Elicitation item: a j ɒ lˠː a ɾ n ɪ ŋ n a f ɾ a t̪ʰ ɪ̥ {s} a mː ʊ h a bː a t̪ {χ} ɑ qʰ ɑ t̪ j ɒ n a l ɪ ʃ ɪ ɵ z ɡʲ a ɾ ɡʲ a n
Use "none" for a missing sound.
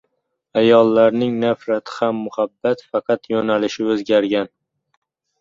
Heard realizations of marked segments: h, f

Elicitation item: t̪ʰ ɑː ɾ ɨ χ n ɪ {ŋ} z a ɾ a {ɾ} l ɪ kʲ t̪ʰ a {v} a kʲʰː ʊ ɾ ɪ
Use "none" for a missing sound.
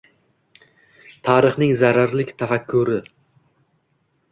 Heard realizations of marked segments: ŋ, ɾ, f

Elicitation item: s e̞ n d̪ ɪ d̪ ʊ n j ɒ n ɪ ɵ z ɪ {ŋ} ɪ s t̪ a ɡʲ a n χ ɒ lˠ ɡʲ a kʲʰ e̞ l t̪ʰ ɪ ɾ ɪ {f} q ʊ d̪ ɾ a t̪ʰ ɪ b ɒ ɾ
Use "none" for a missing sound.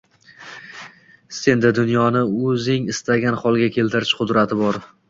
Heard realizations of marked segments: ŋ, ʃ

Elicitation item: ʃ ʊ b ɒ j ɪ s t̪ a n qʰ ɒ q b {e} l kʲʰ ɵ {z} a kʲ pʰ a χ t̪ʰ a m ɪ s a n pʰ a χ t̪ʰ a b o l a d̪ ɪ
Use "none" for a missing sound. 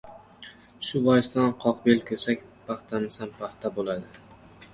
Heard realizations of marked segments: e, s

